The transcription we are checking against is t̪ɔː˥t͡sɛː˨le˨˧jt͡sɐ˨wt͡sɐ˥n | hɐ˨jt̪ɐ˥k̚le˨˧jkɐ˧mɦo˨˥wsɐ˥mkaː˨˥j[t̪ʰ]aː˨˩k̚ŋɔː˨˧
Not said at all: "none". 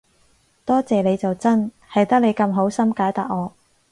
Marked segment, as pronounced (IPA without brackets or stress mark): t̪